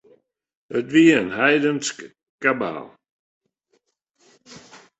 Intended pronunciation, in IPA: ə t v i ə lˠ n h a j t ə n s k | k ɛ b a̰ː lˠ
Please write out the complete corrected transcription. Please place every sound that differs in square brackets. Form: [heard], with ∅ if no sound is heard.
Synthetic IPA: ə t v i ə [∅] n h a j [d] ə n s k | k [a] b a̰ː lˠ